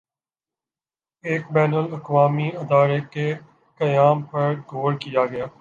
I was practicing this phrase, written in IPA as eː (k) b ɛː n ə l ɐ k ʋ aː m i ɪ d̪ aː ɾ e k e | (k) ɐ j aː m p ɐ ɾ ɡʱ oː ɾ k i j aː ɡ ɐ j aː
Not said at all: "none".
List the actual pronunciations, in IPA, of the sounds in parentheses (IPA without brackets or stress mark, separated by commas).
k, k